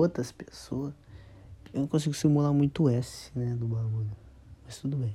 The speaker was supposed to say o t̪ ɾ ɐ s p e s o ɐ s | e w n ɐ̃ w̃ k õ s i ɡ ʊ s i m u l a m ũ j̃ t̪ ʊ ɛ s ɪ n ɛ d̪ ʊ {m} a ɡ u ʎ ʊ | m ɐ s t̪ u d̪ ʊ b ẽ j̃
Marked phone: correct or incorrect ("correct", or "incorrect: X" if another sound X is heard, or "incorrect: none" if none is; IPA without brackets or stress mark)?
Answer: incorrect: b